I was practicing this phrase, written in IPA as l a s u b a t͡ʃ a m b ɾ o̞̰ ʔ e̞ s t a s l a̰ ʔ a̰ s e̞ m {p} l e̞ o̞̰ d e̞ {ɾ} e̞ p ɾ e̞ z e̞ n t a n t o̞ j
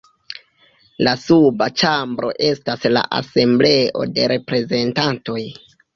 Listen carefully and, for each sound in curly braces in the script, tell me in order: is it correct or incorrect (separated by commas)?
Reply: incorrect, correct